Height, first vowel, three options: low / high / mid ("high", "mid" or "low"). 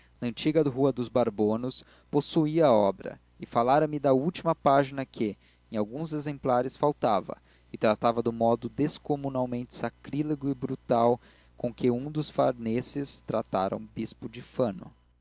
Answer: low